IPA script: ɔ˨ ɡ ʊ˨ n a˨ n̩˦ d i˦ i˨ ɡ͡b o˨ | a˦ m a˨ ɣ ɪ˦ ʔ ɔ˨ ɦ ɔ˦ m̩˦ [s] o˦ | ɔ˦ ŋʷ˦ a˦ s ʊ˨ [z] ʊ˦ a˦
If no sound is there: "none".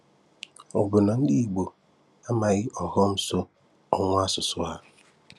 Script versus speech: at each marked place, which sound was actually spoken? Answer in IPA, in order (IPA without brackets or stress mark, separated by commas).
s, s